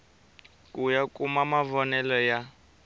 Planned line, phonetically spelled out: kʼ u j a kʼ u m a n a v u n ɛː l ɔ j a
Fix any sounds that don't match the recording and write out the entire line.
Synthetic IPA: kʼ u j a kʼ u m a m a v ɔ n ɛ l ɔ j a